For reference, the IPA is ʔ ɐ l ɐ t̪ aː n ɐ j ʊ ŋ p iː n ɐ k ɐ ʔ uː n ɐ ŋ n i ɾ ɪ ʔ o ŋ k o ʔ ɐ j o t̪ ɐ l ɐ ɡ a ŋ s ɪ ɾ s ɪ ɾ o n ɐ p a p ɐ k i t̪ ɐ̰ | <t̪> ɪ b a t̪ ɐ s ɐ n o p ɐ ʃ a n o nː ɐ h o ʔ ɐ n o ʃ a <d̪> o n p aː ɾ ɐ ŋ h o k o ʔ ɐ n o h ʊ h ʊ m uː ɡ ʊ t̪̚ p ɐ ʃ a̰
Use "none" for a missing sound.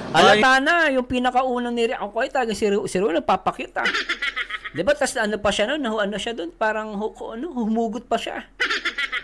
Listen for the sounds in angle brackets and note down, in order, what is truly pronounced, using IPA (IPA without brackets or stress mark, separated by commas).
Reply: d̪, d̪